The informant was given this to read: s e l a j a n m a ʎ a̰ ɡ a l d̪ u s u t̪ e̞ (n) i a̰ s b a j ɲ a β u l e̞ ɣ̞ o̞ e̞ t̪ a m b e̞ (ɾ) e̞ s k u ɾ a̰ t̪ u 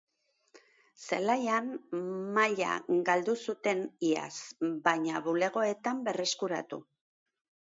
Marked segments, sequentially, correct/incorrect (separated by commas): correct, incorrect